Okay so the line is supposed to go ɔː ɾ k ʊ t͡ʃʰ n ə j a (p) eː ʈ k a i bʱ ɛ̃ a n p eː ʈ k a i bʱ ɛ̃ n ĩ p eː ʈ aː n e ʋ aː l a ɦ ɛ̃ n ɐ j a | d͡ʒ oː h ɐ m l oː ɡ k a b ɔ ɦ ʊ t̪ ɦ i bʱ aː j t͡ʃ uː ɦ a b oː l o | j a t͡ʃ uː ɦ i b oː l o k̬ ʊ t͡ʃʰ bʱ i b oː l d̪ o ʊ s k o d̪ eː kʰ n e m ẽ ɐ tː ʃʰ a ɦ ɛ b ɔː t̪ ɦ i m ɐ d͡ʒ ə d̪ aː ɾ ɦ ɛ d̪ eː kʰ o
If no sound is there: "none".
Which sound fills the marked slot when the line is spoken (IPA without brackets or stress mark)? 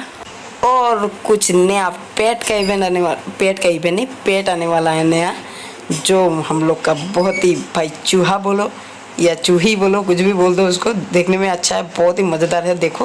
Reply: p